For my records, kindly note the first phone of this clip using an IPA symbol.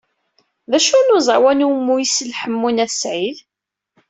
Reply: ð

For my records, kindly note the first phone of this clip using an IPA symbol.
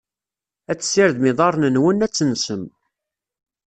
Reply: æ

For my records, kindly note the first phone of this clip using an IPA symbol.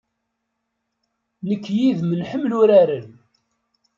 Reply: n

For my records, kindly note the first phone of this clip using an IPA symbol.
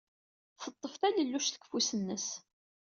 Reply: θ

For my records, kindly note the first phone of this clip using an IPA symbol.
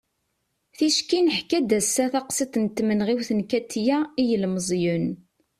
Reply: θ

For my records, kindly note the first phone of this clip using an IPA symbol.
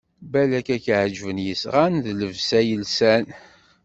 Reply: b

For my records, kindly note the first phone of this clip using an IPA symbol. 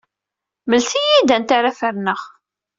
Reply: m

